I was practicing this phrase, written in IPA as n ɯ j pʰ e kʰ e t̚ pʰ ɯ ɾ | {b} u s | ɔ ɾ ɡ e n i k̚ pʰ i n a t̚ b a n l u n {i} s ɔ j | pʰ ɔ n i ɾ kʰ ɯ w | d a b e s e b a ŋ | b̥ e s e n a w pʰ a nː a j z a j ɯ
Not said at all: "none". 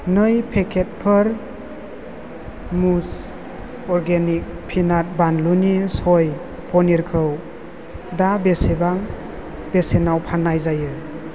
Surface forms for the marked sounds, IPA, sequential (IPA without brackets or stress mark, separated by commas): m, i